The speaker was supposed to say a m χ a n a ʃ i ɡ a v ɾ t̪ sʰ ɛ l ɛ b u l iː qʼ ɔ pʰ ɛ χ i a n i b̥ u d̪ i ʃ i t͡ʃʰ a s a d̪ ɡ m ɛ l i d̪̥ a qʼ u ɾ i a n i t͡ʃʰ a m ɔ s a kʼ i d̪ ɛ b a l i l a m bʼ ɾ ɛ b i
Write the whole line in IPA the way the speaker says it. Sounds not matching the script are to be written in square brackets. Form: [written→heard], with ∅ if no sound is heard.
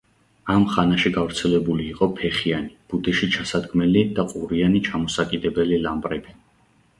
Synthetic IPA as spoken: a m χ a n a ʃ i ɡ a v ɾ t̪ sʰ ɛ l ɛ b u l iː qʼ ɔ pʰ ɛ χ i a n i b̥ u d̪ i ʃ i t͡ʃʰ a s a d̪ ɡ m ɛ l i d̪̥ a qʼ u ɾ i a n i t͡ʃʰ a m ɔ s a kʼ i d̪ ɛ b [a→ɛ] l i l a m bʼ ɾ ɛ b i